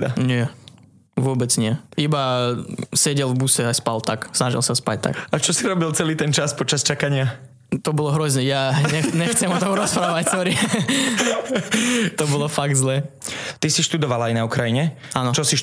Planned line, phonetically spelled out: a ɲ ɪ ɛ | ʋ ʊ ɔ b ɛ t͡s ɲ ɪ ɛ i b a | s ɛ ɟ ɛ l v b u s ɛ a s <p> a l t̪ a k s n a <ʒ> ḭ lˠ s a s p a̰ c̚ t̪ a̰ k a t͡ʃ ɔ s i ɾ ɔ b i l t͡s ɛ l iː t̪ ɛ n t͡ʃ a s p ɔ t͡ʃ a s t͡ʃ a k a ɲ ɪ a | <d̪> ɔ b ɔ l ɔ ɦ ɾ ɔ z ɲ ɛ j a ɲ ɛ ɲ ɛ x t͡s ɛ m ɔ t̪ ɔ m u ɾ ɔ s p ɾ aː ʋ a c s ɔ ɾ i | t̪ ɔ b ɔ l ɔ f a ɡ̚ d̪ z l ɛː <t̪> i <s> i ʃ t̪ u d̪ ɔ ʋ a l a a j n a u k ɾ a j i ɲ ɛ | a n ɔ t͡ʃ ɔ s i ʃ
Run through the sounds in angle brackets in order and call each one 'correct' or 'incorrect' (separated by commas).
correct, correct, incorrect, correct, correct